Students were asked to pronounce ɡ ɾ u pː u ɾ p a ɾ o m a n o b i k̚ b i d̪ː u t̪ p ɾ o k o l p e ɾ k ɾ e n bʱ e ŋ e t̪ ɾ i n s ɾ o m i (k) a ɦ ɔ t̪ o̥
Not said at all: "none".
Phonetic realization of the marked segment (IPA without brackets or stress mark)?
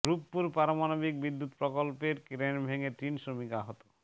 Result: k